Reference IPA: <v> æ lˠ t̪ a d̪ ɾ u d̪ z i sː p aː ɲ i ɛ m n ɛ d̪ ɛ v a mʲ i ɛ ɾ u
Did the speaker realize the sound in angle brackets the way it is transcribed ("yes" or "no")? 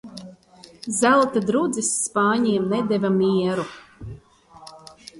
no